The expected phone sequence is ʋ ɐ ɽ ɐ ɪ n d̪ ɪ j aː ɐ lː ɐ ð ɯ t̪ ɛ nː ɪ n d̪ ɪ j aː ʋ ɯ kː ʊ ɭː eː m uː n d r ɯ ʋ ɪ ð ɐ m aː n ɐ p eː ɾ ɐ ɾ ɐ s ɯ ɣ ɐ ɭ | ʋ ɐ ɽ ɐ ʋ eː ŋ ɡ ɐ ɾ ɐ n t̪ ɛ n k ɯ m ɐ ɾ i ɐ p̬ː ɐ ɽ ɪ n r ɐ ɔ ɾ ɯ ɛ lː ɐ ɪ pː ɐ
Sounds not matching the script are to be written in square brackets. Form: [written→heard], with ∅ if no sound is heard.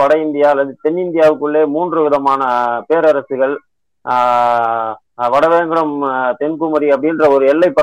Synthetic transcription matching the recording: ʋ ɐ ɽ ɐ ɪ n d̪ ɪ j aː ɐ lː ɐ ð ɯ t̪ ɛ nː ɪ n d̪ ɪ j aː ʋ ɯ kː [ʊ→ɯ] ɭː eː m uː n d r ɯ ʋ ɪ ð ɐ m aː n ɐ p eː ɾ ɐ ɾ ɐ s ɯ ɣ ɐ ɭ | ʋ ɐ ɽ ɐ ʋ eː ŋ ɡ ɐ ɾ ɐ [n→m] t̪ ɛ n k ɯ m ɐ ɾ i ɐ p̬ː ɐ ɽ ɪ n r ɐ ɔ ɾ ɯ ɛ lː ɐ ɪ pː ɐ